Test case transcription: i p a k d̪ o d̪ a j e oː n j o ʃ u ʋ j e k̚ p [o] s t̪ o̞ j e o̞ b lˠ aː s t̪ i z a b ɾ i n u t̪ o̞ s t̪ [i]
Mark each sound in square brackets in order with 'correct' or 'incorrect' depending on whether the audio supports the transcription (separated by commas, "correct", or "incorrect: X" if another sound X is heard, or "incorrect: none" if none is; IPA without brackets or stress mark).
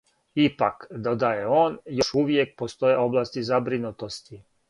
correct, correct